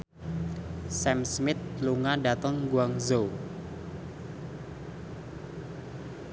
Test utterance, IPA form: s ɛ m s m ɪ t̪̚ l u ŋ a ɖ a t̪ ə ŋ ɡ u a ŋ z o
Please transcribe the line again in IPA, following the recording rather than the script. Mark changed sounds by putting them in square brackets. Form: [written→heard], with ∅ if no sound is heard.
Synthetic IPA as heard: s ɛ m s m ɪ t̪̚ l u ŋ a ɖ a t̪ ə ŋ ɡ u a ŋ z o